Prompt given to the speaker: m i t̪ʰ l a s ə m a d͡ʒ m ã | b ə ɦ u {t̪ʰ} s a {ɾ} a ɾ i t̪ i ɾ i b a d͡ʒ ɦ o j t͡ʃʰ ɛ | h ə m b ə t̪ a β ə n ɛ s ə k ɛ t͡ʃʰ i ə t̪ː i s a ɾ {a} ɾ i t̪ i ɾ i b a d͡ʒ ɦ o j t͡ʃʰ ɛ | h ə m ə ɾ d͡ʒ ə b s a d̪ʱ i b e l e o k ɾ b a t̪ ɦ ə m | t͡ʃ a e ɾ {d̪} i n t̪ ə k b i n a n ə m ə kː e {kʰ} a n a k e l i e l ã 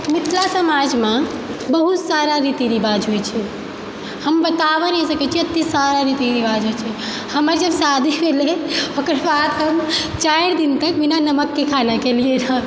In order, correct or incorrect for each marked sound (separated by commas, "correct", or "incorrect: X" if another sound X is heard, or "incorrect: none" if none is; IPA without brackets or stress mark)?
incorrect: t̪, correct, correct, correct, correct